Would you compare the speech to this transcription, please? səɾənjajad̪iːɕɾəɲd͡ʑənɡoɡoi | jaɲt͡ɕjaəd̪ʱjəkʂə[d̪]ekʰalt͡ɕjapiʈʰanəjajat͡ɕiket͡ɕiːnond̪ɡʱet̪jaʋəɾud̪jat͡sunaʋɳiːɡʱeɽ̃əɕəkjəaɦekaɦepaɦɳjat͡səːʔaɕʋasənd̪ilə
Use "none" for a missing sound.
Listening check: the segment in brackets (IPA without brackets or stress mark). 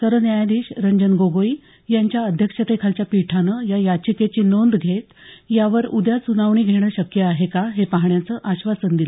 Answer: t̪